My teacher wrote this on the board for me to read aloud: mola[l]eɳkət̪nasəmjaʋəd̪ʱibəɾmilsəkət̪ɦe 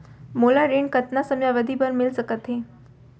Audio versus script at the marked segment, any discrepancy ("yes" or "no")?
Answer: yes